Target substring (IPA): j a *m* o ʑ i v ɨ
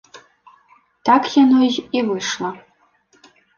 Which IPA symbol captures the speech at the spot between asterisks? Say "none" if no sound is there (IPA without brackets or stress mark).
n